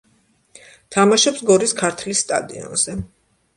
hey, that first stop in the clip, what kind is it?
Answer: aspirated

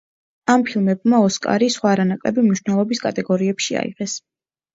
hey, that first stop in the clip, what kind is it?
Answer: aspirated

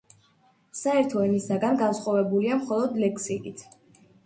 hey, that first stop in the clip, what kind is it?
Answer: aspirated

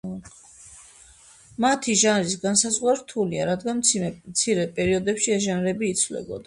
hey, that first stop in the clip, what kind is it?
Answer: aspirated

